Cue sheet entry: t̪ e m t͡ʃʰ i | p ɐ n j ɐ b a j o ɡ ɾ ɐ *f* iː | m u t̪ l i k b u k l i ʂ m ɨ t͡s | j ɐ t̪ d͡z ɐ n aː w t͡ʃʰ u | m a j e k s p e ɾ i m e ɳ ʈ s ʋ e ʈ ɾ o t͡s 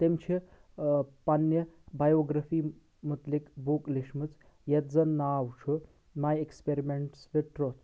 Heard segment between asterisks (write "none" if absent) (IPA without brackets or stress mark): f